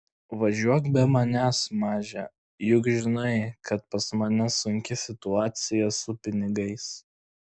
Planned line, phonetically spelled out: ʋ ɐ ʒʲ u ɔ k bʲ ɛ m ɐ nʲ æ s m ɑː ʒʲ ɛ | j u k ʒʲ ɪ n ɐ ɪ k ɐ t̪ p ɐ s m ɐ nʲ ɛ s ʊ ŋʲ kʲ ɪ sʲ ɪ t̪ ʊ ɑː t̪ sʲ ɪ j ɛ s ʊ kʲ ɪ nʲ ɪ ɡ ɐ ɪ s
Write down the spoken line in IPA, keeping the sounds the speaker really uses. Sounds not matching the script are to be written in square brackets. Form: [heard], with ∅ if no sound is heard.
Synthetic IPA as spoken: ʋ ɐ ʒʲ u ɔ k bʲ ɛ m ɐ nʲ æ s m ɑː ʒʲ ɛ | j [ʊ] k ʒʲ ɪ n ɐ ɪ k ɐ t̪ p ɐ s m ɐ nʲ ɛ s ʊ ŋʲ kʲ ɪ sʲ ɪ t̪ ʊ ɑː t̪ sʲ ɪ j ɛ s ʊ [pʲ] ɪ nʲ ɪ ɡ ɐ ɪ s

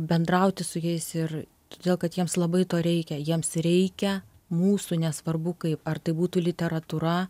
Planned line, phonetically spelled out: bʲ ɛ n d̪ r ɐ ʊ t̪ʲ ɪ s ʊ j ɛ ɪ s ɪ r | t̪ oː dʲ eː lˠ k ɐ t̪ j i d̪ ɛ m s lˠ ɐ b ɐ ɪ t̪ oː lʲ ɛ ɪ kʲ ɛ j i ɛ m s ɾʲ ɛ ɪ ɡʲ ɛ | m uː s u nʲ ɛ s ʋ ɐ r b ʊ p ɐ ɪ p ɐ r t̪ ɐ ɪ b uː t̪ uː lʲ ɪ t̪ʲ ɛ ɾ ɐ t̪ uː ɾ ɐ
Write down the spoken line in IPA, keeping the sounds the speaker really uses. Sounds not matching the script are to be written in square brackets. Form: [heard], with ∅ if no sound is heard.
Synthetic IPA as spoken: bʲ ɛ n d̪ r ɐ ʊ t̪ʲ ɪ s ʊ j ɛ ɪ s ɪ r | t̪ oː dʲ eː lˠ k ɐ t̪ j i [∅] ɛ m s lˠ ɐ b ɐ ɪ t̪ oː [ɾʲ] ɛ ɪ kʲ ɛ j i ɛ m s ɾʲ ɛ ɪ [kʲ] ɛ | m uː s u nʲ ɛ s ʋ ɐ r b ʊ [k] ɐ ɪ p ɐ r t̪ ɐ ɪ b uː t̪ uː lʲ ɪ t̪ʲ ɛ ɾ ɐ t̪ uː ɾ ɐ

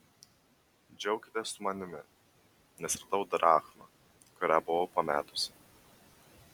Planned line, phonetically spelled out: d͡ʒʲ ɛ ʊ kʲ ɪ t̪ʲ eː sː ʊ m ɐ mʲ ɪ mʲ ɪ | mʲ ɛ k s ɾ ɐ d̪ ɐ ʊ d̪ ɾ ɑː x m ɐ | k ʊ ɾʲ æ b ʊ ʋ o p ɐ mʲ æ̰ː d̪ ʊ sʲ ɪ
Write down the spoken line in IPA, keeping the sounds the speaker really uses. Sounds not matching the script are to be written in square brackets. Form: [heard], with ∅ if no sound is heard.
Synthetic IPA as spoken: d͡ʒʲ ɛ ʊ kʲ ɪ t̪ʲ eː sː ʊ m ɐ [nʲ] ɪ mʲ ɪ | [nʲ] ɛ [∅] s ɾ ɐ d̪ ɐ ʊ d̪ ɾ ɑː x m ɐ | k ʊ ɾʲ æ b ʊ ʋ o p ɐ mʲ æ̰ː [t̪] ʊ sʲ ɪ

